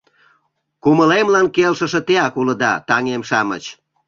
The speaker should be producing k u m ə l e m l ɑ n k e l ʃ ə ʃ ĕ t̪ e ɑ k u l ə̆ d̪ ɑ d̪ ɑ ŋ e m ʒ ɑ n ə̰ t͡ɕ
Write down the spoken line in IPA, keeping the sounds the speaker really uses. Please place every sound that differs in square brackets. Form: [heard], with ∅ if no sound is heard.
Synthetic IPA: k u m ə l e m l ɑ n k e l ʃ ə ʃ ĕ t̪ e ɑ k u l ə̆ d̪ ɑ [t̪] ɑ ŋ e m [ʃ] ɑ [m] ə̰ t͡ɕ